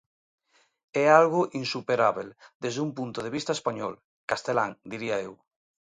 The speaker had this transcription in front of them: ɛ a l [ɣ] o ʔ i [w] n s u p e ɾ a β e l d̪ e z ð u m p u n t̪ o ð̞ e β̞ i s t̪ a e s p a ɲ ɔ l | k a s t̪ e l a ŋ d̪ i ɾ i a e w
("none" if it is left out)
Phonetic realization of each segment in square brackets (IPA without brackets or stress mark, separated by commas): ɣ, none